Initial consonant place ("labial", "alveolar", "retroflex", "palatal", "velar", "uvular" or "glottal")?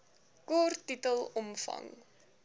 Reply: velar